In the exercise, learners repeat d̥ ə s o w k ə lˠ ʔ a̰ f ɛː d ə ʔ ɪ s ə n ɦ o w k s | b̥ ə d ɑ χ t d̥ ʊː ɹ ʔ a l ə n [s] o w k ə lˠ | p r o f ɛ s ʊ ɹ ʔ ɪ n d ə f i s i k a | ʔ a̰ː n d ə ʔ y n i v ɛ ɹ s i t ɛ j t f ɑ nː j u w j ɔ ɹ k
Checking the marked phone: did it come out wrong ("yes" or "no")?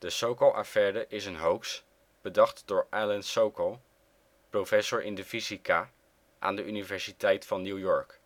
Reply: no